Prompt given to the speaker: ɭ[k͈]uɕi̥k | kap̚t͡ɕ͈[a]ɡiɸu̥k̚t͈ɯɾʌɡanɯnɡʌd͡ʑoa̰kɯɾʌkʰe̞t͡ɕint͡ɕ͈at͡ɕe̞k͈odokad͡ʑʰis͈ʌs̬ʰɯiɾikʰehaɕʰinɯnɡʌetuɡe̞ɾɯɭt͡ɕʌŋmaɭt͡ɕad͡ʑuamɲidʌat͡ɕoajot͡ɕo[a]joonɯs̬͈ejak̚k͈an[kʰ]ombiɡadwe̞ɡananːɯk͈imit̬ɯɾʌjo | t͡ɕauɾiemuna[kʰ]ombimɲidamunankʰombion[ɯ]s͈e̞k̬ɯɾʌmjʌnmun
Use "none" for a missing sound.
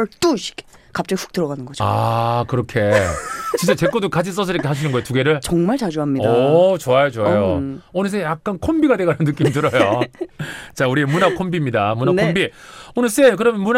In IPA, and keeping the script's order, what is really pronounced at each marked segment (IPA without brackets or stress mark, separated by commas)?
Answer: t͈, ʌ, a, kʰ, kʰ, ɯ